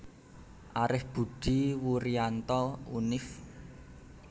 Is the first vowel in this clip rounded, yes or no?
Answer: no